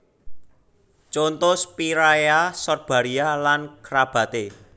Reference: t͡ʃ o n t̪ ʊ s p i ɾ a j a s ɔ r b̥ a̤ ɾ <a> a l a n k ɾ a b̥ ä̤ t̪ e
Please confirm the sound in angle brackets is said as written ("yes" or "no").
no